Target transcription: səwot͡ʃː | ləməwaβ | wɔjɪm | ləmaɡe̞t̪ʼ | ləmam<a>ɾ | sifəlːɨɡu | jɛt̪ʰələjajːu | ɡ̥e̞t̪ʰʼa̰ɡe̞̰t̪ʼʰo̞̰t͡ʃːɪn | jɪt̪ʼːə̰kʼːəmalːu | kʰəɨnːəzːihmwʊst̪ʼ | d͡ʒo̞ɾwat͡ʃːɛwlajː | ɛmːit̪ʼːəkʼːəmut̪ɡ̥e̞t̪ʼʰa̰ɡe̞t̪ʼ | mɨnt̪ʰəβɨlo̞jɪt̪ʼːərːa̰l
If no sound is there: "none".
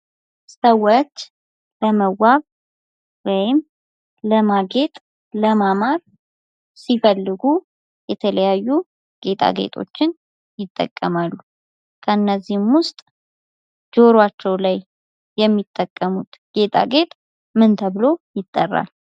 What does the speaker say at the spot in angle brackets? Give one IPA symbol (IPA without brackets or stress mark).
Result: a